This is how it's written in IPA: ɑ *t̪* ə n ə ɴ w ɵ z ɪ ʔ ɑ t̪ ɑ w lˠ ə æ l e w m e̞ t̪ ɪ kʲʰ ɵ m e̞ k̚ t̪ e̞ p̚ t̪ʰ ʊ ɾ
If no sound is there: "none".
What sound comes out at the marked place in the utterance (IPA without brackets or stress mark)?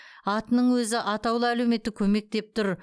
t̪